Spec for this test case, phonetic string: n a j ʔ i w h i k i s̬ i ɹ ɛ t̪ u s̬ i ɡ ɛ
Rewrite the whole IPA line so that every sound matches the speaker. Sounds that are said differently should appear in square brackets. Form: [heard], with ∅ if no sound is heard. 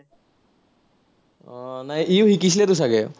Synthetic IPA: n a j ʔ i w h i k i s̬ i [l] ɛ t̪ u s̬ [a] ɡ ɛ